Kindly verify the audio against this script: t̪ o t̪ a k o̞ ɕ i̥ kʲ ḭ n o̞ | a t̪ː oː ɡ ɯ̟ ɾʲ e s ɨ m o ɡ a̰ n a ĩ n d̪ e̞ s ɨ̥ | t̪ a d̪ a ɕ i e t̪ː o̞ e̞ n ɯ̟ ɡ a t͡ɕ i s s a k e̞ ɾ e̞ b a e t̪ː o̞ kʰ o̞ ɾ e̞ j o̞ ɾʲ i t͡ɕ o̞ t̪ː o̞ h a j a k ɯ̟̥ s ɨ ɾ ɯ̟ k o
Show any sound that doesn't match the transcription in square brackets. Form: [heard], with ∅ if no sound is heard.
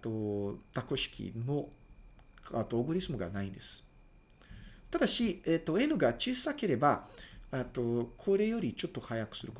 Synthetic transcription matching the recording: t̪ o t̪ a k o̞ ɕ i̥ kʲ ḭ n o̞ | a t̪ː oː ɡ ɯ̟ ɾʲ [i] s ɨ m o ɡ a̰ n a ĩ n d̪ e̞ s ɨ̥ | t̪ a d̪ a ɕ i e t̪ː o̞ e̞ n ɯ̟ ɡ a t͡ɕ i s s a k e̞ ɾ e̞ b a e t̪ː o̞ kʰ o̞ ɾ e̞ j o̞ ɾʲ i t͡ɕ o̞ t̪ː o̞ h a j a k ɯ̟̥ s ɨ ɾ ɯ̟ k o

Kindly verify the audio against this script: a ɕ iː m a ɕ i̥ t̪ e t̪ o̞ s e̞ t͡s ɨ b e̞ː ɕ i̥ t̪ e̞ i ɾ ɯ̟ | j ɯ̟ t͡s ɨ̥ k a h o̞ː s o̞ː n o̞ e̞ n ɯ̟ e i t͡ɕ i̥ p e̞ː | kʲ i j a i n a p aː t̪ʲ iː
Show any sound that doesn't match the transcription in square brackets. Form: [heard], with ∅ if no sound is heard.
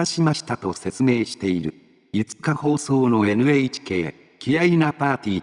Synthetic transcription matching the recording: a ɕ [i] m a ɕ i̥ t̪ [a] t̪ o̞ s e̞ t͡s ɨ [m] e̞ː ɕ i̥ t̪ e̞ i ɾ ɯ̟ | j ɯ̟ t͡s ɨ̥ k a h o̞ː s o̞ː n o̞ e̞ n ɯ̟ e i t͡ɕ i̥ [k] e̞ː | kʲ i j a i n a p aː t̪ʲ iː

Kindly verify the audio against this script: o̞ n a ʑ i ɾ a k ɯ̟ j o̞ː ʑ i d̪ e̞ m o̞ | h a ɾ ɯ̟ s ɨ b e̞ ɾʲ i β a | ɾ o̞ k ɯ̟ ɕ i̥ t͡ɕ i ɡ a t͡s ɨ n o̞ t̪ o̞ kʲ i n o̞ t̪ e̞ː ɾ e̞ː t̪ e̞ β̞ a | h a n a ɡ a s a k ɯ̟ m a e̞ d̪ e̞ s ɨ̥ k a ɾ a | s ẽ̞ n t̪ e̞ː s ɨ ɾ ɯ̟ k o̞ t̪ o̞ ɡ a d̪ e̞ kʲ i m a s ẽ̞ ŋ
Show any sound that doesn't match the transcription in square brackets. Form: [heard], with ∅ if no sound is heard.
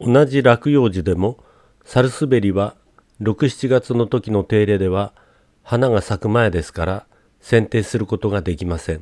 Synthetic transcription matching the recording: o̞ n a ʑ i ɾ a k ɯ̟ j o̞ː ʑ i d̪ e̞ m o̞ | [s] a ɾ ɯ̟ s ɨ b e̞ ɾʲ i β a | ɾ o̞ k ɯ̟ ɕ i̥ t͡ɕ i ɡ a t͡s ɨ n o̞ t̪ o̞ kʲ i n o̞ t̪ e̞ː ɾ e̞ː [d̪] e̞ β̞ a | h a n a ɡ a s a k ɯ̟ m a e̞ d̪ e̞ s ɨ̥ k a ɾ a | s ẽ̞ n t̪ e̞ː s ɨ ɾ ɯ̟ k o̞ t̪ o̞ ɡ a d̪ e̞ kʲ i m a s ẽ̞ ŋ

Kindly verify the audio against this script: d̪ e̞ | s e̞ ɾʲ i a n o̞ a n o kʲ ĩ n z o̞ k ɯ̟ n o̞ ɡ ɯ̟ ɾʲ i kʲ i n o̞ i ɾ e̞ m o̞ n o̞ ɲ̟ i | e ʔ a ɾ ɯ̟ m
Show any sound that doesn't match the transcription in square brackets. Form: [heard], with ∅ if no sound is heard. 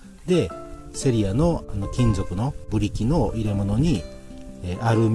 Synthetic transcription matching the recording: d̪ e̞ | s e̞ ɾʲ i a n o̞ a n o kʲ ĩ n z o̞ k ɯ̟ n o̞ [b] ɯ̟ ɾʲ i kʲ i n o̞ i ɾ e̞ m o̞ n o̞ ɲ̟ i | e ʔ a ɾ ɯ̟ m

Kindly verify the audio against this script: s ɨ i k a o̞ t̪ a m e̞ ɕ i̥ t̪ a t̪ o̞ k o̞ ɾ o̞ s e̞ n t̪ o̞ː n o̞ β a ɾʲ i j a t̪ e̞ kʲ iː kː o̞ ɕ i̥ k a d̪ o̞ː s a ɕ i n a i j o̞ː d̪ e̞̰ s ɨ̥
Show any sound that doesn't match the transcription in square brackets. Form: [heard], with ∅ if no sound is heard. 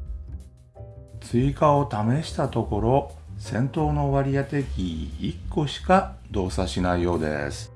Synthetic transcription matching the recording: [t͡s] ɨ i k a o̞ t̪ a m e̞ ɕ i̥ t̪ a t̪ o̞ k o̞ ɾ o̞ s [ẽ̞] n t̪ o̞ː n o̞ β a ɾʲ i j a t̪ e̞ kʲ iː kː o̞ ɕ i̥ k a d̪ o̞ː s a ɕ i n a i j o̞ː d̪ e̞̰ s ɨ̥

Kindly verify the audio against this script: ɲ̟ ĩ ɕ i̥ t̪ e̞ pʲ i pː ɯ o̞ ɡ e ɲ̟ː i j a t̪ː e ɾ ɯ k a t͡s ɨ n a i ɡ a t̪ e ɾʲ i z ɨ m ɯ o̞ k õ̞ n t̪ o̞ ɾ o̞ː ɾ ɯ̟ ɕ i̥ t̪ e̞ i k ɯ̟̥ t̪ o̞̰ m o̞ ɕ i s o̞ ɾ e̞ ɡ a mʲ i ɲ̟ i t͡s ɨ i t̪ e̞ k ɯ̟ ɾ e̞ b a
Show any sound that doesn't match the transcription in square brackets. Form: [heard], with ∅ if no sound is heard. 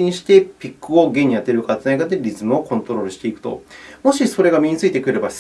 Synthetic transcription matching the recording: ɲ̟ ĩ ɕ i̥ t̪ e̞ pʲ i [kː] ɯ o̞ ɡ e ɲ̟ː i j a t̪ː e ɾ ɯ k a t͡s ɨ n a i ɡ a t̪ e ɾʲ i z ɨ m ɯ o̞ k õ̞ n t̪ o̞ ɾ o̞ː ɾ ɯ̟ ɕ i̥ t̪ e̞ i k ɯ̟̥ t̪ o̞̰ m o̞ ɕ i s o̞ ɾ e̞ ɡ a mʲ i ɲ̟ i t͡s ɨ i t̪ e̞ k ɯ̟ ɾ e̞ b a

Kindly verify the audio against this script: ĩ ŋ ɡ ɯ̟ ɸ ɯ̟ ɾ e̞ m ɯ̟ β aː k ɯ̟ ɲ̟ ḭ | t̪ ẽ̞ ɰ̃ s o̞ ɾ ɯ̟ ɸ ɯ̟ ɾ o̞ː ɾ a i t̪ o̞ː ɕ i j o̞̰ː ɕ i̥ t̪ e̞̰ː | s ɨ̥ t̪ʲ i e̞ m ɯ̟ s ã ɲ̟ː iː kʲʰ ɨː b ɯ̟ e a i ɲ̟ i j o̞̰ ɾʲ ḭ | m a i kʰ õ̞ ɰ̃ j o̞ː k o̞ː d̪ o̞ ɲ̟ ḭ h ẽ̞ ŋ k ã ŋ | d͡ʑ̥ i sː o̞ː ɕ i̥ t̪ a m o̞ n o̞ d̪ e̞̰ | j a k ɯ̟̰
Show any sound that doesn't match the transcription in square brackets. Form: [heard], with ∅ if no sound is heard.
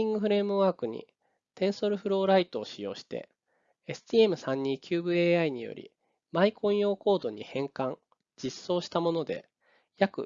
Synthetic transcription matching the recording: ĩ ŋ ɡ ɯ̟ ɸ ɯ̟ ɾ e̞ m ɯ̟ β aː k ɯ̟ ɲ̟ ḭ | t̪ ẽ̞ ɰ̃ s o̞ ɾ ɯ̟ ɸ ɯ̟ ɾ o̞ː ɾ a i t̪ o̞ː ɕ i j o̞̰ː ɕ i̥ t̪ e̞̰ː | s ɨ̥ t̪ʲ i e̞ m ɯ̟ s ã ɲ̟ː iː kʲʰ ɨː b ɯ̟ e a i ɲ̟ i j o̞̰ ɾʲ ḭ | m a i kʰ õ̞ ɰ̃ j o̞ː k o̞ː d̪ o̞ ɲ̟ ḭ h ẽ̞ ŋ k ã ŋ | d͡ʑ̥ i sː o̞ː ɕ i̥ t̪ a m o̞ n o̞ d̪ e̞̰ | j a k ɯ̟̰

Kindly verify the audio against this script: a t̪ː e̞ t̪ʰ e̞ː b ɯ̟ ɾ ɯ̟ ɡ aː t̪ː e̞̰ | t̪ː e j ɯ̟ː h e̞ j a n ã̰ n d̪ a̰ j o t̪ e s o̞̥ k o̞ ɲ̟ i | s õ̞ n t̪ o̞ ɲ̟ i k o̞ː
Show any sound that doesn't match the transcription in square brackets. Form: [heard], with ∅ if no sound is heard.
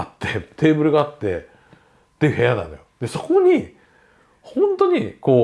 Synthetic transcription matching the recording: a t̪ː e̞ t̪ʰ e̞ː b ɯ̟ ɾ ɯ̟ ɡ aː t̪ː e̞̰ | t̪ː e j [ɯ̟] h e̞ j a n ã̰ n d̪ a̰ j o [d̪] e s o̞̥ k o̞ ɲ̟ i | [h] õ̞ n t̪ o̞ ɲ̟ i k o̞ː

